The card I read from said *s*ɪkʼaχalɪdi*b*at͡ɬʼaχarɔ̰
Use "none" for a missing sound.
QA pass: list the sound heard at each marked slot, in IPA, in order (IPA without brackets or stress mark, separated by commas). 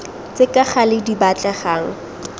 t͡s, b